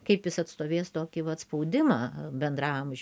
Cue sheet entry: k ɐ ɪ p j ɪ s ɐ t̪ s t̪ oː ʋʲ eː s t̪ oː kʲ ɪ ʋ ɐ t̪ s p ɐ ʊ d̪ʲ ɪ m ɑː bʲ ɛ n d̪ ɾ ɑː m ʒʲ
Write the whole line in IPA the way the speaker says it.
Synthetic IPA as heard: k ɐ ɪ p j ɪ s ɐ t̪ s t̪ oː ʋʲ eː s t̪ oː kʲ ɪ ʋ ɐ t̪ s p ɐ ʊ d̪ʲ ɪ m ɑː bʲ ɛ n d̪ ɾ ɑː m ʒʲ